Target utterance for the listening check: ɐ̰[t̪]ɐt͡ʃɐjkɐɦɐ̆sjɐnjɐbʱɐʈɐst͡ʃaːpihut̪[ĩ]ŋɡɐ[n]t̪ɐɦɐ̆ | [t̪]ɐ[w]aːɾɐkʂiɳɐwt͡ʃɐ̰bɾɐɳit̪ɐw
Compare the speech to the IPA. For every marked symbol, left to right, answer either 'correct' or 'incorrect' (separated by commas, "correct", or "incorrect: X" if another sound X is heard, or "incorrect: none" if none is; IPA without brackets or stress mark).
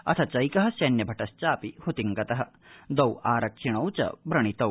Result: incorrect: t̪ʰ, incorrect: i, incorrect: none, incorrect: d̪, correct